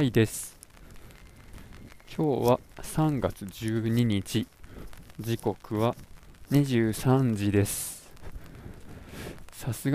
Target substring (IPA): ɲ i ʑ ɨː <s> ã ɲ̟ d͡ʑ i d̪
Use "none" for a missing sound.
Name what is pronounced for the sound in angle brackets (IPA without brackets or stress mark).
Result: s